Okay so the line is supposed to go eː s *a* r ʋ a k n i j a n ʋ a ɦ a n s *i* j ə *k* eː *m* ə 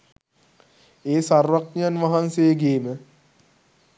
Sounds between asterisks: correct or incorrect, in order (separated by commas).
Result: correct, incorrect, incorrect, correct